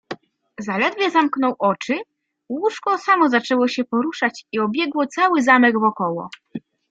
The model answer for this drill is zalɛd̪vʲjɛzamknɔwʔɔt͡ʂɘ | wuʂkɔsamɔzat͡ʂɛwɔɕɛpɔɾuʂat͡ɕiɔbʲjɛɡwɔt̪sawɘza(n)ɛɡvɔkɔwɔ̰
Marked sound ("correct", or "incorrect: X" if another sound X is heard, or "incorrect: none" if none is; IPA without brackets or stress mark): incorrect: m